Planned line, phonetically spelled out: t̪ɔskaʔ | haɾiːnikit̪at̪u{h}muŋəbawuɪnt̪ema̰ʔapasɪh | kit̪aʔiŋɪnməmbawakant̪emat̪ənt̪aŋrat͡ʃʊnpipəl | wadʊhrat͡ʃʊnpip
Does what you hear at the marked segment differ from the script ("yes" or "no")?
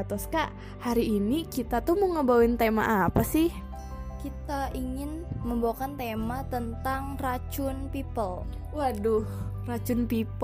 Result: no